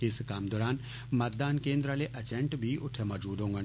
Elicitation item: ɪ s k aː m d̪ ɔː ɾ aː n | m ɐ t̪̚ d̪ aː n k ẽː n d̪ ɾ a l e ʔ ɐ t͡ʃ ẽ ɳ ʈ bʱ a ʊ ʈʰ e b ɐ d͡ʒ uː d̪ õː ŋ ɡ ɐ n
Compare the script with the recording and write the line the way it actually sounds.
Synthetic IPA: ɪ s k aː m d̪ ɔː ɾ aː n | m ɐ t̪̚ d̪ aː n k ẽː n d̪ ɾ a l e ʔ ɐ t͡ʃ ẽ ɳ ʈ bʱ i ʊ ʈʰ e m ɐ d͡ʒ uː d̪ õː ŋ ɡ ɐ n